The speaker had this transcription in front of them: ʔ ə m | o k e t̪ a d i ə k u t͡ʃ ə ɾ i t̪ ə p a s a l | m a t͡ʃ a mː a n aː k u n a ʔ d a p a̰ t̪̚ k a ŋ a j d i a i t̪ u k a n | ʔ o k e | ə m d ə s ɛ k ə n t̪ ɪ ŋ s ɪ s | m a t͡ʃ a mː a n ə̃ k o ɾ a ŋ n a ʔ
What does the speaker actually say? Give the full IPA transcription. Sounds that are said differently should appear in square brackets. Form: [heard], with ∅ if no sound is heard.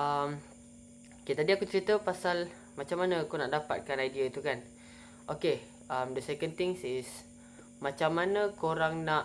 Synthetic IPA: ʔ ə m | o k e t̪ a d i [a] k u t͡ʃ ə ɾ i t̪ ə p a s a l | m a t͡ʃ a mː a n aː k u n a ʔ d a p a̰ t̪̚ k a [n] a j d i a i t̪ u k a n | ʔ o k e | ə m d ə s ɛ k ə n t̪ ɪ ŋ s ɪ s | m a t͡ʃ a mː a n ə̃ k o ɾ a ŋ n a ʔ

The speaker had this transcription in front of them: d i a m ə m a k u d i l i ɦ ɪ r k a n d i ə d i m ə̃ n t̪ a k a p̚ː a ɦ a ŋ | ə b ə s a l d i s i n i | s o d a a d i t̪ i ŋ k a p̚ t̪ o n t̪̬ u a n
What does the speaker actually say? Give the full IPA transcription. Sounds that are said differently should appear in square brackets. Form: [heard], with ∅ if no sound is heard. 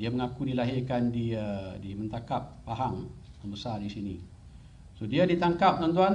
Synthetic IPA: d i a m ə [ŋ] a k u d i l [a] ɦ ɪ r k a n d i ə d i m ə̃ n t̪ a k a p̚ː a ɦ a ŋ | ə b ə s a [r] d i s i n i | s o d [i] a d i t̪ [a] ŋ k a p̚ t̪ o n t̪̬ u a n

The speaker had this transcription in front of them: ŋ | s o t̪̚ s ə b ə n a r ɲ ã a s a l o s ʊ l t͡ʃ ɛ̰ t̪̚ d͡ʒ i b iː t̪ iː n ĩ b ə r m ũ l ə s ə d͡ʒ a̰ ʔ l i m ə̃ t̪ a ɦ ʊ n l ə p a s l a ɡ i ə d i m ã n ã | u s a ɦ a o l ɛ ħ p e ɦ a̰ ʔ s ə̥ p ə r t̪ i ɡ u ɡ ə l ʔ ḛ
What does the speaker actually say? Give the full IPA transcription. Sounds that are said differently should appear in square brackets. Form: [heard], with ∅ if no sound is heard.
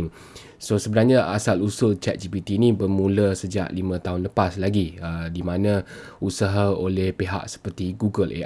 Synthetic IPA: ŋ | s o [∅] s ə b ə n a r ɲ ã a s a l [u] s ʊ l t͡ʃ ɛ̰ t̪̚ d͡ʒ i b [i] t̪ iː n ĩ b ə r m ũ l ə s ə d͡ʒ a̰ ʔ l i m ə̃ t̪ a ɦ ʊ n l ə p a s l a ɡ i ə d i m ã n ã | u s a ɦ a o l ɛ [h] p e ɦ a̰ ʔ s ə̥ p ə r t̪ i ɡ u ɡ ə l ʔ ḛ

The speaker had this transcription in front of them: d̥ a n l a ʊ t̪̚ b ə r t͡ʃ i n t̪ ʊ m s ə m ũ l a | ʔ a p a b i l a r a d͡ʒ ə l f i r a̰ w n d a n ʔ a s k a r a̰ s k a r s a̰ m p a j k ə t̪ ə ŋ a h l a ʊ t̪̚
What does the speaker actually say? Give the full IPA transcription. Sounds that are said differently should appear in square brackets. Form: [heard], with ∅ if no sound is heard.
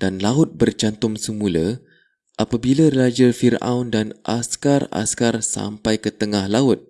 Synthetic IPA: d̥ a n l a ʊ t̪̚ b ə r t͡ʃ [a] n t̪ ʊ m s ə m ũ l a | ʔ a p a b i l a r a d͡ʒ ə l f i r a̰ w n d a n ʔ a s k a r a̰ s k a r s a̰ m p a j k ə t̪ ə ŋ a h l a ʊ t̪̚

